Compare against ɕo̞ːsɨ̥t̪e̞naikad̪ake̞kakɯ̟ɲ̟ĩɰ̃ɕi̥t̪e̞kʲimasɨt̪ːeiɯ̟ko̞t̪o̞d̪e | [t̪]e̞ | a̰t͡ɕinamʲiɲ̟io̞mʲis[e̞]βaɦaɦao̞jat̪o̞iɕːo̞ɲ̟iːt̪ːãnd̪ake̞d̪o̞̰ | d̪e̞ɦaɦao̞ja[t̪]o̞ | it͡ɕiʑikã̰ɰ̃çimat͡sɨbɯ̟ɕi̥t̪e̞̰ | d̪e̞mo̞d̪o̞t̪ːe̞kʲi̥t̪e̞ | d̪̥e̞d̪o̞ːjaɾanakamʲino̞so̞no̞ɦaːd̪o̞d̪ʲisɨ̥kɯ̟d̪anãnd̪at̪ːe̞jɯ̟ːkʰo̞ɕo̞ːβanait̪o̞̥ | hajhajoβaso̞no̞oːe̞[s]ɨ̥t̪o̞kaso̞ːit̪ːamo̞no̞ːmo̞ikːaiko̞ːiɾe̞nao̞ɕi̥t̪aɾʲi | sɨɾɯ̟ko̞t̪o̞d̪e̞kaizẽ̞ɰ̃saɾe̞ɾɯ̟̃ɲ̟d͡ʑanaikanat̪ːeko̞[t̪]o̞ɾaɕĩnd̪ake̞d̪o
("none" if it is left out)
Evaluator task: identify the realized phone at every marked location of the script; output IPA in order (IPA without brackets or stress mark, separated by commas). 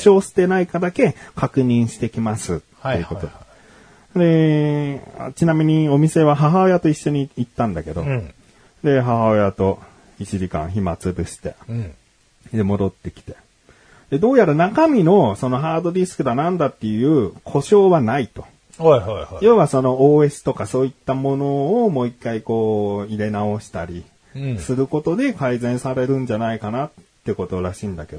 d̪, e̞, t̪, s, t̪